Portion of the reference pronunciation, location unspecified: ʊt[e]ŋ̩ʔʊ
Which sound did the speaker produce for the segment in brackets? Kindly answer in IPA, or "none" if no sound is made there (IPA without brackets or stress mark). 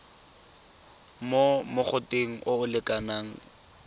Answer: e